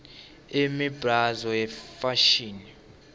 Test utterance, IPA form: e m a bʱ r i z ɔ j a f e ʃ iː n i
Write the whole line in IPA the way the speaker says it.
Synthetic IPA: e m i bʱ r a z ɔ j ɛ f a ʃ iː n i